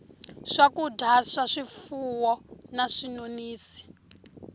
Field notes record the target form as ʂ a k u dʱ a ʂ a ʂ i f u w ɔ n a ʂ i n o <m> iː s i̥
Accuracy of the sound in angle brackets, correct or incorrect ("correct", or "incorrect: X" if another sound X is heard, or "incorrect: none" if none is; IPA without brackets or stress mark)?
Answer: incorrect: n